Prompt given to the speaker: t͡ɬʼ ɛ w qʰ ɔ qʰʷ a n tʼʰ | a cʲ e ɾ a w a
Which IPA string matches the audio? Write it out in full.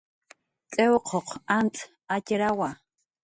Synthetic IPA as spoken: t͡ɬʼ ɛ w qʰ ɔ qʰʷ a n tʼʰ | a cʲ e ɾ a w a